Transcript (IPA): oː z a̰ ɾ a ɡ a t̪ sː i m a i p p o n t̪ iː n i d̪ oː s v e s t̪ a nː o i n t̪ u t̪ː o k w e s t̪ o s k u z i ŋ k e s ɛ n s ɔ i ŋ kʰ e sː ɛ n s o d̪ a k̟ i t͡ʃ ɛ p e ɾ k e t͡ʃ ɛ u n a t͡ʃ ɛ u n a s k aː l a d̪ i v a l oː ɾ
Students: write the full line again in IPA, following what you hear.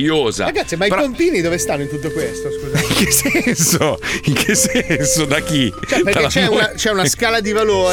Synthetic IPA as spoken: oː z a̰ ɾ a ɡ a t̪ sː i m a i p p o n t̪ iː n i d̪ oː v e s t̪ a nː o i n t̪ u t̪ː o k w e s t̪ o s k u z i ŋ k e s ɛ n s o i ŋ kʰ e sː ɛ n s o d̪ a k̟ i t͡ʃ ɛ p e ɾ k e t͡ʃ ɛ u n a t͡ʃ ɛ u n a s k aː l a d̪ i v a l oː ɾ